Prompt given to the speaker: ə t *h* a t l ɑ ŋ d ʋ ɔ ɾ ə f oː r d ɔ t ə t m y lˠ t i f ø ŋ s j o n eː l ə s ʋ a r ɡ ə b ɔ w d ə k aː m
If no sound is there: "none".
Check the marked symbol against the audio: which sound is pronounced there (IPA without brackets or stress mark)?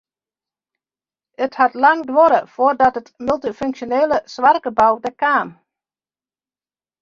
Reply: h